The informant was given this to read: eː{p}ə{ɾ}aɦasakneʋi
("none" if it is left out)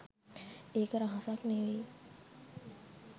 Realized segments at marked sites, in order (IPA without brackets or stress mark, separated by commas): k, ɾ